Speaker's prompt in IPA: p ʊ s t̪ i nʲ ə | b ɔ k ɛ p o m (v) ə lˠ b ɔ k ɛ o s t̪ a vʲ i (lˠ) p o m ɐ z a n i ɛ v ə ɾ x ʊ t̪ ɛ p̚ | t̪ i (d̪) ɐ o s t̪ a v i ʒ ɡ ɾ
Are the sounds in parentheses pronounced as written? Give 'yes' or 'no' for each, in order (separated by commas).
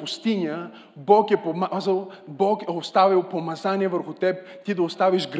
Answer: no, yes, yes